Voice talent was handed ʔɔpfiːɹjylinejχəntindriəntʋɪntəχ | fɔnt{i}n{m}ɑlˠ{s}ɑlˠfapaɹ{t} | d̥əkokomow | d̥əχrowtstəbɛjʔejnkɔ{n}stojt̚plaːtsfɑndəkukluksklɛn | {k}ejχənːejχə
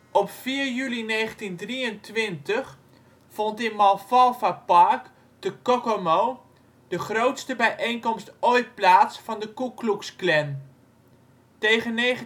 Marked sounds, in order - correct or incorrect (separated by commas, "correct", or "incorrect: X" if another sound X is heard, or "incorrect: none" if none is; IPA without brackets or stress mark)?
incorrect: ɪ, correct, incorrect: f, incorrect: k, incorrect: m, incorrect: t